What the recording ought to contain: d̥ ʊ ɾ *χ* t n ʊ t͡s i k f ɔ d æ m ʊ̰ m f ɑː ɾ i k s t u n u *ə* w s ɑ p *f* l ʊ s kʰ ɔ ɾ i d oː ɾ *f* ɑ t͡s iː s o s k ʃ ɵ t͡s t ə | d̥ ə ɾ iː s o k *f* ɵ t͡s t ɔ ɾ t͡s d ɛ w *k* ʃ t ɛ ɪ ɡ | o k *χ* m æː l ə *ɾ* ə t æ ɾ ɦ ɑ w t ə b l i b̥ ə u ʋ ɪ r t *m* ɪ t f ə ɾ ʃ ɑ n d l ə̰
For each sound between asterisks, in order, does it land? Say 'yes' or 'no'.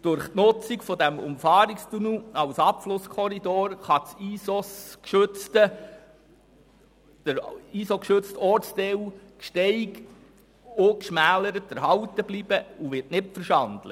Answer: yes, no, yes, no, no, yes, no, yes, no

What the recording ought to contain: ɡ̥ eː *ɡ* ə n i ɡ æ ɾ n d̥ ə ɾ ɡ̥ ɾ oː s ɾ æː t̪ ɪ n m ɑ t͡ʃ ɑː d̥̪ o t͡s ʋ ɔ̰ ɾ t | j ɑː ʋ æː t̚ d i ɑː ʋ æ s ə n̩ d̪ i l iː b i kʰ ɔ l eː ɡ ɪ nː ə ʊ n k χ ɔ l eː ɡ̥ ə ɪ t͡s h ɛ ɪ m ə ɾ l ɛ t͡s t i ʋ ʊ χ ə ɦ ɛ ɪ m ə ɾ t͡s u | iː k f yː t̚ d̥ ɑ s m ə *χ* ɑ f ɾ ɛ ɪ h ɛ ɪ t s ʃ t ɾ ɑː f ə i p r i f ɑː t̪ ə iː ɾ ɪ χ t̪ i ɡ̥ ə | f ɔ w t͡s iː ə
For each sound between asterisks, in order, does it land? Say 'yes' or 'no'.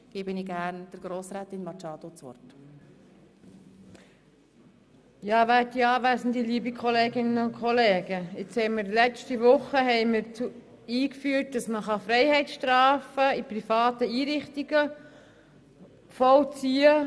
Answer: no, yes

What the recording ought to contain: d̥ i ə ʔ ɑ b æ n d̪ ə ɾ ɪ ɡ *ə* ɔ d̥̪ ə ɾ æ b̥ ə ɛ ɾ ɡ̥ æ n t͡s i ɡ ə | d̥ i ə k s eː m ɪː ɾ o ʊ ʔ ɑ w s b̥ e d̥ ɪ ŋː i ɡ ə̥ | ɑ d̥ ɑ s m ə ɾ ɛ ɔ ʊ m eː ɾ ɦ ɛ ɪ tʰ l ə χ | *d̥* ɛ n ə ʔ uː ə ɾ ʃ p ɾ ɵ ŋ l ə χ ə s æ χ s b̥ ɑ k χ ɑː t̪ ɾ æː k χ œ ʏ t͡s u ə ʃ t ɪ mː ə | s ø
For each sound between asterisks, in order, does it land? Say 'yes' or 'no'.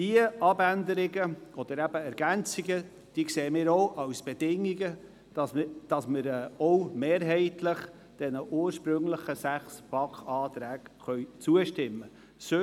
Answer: yes, yes

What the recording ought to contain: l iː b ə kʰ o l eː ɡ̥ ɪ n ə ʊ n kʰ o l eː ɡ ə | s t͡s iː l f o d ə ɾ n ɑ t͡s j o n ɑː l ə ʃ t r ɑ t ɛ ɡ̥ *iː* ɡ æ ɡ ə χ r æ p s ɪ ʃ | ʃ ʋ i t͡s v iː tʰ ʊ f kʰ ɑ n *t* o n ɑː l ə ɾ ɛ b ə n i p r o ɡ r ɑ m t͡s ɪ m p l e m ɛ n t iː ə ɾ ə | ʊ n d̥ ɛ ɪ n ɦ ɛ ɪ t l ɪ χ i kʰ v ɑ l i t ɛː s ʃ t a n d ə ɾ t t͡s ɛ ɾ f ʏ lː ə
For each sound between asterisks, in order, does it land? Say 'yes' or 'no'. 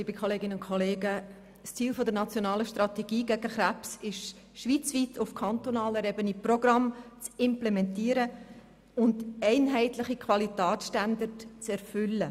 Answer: yes, yes

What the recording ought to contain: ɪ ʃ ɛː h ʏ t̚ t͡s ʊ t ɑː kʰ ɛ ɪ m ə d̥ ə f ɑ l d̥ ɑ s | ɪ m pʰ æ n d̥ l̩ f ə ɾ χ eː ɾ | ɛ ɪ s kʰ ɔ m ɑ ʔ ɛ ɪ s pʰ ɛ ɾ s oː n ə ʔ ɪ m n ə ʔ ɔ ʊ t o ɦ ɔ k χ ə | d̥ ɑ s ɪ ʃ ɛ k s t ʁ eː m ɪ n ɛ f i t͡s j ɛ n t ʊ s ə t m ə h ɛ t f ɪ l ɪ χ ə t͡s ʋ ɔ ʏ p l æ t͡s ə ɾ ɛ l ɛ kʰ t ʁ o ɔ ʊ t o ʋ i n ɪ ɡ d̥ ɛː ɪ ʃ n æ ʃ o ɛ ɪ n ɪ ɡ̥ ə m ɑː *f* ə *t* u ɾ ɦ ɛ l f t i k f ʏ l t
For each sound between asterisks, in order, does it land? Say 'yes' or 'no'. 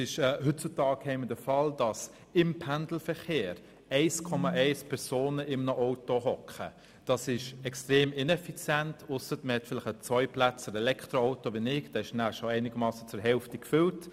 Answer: no, no

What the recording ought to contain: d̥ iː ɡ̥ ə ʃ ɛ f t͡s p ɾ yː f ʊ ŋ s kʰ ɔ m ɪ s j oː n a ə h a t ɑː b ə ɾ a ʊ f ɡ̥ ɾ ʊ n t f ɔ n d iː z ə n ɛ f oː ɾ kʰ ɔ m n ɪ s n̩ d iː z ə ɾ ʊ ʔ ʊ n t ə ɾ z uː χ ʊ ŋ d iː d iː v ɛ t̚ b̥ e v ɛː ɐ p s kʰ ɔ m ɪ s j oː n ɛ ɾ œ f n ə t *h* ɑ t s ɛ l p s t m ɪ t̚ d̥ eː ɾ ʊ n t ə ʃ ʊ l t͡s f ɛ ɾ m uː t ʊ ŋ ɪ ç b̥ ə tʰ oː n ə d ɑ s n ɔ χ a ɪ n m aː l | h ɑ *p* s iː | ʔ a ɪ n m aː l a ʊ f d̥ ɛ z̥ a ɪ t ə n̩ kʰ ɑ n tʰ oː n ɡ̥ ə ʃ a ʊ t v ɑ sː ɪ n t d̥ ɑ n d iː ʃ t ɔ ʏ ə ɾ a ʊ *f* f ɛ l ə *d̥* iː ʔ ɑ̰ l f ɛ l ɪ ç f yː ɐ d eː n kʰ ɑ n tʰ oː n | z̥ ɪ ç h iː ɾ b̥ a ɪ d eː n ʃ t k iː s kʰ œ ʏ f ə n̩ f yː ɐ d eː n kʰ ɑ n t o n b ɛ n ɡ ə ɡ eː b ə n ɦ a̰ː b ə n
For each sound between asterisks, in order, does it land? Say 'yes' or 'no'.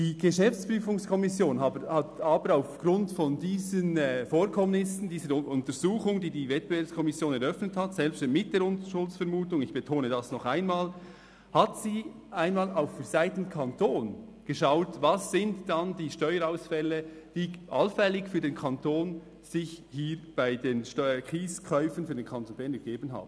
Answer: yes, no, no, yes

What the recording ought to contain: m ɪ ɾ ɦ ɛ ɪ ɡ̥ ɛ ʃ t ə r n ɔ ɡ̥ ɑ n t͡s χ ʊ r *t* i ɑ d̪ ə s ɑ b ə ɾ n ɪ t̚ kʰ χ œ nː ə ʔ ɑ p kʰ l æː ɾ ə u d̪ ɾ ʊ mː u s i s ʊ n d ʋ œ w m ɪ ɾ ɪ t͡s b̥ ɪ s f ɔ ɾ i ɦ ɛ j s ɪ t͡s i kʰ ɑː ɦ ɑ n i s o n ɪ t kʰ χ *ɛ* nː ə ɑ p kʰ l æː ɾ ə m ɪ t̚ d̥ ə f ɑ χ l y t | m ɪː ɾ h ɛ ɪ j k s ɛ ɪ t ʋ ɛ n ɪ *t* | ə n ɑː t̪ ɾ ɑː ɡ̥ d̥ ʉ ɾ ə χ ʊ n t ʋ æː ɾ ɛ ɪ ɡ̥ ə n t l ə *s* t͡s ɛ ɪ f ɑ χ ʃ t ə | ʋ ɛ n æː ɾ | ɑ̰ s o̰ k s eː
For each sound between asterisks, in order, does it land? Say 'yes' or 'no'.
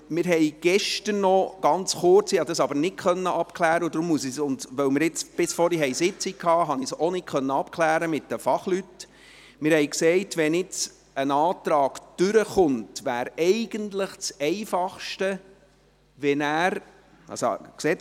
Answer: no, no, no, no

